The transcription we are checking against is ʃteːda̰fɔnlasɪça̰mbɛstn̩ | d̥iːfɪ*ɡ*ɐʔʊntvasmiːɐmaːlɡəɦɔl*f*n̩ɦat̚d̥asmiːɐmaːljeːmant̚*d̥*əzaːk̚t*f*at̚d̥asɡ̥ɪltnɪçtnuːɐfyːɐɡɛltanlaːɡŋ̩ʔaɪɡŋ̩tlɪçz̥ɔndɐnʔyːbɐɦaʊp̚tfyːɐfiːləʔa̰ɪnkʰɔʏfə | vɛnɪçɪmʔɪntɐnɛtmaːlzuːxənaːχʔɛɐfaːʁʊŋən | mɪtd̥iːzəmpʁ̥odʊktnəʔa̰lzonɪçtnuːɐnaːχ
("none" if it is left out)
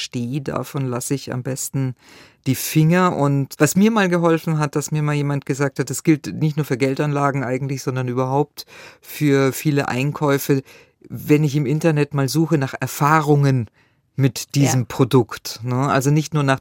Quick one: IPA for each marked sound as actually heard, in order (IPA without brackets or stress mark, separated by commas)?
ŋ, f, ɡ̥, h